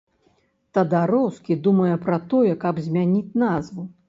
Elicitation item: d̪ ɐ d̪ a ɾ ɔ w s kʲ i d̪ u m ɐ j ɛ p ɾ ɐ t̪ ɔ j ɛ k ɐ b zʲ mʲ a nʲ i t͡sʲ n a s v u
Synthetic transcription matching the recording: t̪ ɐ d̪ a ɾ ɔ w s kʲ i d̪ u m ɐ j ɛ p ɾ ɐ t̪ ɔ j ɛ k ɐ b zʲ mʲ a nʲ i t͡sʲ n a z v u